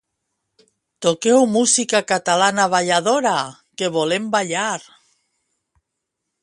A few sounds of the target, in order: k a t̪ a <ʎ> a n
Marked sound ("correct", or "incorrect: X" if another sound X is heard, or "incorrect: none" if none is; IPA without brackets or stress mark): incorrect: l